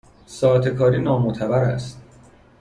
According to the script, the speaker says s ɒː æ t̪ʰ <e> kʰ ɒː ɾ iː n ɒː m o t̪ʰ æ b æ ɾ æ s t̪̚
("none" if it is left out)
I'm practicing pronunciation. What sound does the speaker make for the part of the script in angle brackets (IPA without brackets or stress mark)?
e